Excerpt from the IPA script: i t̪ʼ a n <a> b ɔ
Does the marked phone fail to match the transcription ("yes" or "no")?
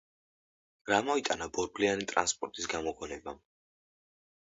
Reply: no